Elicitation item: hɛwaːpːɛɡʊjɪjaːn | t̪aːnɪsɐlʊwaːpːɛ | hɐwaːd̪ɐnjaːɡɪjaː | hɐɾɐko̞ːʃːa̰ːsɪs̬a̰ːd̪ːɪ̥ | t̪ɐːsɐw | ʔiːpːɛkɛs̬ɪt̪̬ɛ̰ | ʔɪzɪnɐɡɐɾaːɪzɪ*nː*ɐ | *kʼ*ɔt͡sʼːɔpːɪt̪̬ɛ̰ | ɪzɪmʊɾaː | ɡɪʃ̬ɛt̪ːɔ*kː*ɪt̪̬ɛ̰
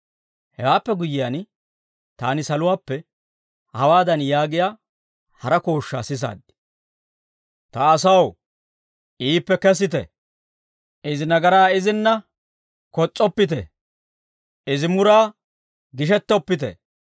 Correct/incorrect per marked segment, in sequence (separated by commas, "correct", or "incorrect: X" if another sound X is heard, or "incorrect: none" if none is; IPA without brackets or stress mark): correct, incorrect: k, incorrect: pː